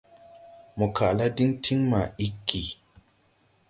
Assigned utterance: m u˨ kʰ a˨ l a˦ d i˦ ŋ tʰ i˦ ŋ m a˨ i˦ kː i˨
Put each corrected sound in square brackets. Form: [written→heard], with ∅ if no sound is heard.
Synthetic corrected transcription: m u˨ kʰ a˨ l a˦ d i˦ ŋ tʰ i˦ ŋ m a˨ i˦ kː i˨

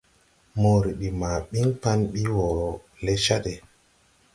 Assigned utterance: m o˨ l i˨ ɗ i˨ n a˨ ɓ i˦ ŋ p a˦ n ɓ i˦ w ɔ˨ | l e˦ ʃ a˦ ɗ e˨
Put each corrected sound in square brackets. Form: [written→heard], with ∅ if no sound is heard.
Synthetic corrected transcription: m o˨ [l→ɾ] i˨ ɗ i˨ [n→m] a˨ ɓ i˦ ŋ p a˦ n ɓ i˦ w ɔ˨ | l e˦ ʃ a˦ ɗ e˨

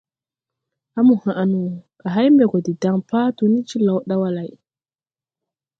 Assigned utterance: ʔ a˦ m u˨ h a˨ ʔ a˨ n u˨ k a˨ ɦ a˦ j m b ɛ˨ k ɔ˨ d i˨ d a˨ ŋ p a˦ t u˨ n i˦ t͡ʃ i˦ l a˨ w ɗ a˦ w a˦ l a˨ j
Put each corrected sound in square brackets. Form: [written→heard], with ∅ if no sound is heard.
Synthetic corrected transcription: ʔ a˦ m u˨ h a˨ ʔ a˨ n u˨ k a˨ ɦ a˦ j m b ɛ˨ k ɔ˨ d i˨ d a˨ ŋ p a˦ t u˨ n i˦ t͡ʃ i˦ l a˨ w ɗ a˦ w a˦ l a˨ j

